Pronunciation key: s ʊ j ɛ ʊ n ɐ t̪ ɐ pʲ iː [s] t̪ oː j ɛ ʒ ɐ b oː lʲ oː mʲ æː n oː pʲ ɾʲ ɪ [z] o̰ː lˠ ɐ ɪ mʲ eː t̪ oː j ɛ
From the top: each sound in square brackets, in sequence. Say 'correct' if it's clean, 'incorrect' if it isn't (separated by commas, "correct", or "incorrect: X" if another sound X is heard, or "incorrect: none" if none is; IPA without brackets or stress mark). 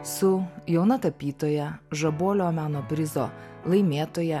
incorrect: none, correct